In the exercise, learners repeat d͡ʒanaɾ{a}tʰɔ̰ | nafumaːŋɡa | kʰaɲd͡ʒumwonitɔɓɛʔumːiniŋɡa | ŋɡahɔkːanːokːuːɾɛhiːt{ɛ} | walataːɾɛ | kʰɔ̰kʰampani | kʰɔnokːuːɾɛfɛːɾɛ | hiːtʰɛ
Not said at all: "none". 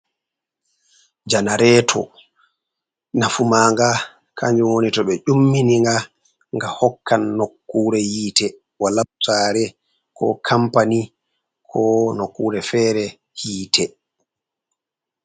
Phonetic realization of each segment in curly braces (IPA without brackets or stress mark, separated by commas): ɛ, ɛ